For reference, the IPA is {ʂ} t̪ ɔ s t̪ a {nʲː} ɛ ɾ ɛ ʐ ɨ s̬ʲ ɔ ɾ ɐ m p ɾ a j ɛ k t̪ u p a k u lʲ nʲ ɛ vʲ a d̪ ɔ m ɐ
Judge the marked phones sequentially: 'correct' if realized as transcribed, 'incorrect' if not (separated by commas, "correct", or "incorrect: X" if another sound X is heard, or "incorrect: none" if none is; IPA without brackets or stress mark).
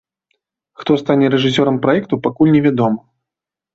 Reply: incorrect: x, incorrect: nʲ